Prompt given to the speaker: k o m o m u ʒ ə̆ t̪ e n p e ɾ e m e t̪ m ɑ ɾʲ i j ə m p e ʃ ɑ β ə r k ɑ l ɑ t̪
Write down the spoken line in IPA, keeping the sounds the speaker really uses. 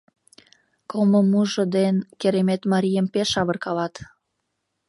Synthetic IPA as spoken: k o m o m u ʒ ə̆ d̪ e n k e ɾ e m e t̪ m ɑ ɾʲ i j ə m p e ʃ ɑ β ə r k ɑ l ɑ t̪